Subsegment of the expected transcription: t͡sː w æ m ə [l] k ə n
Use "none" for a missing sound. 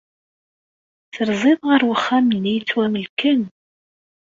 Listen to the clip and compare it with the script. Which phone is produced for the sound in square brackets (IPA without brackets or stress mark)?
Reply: l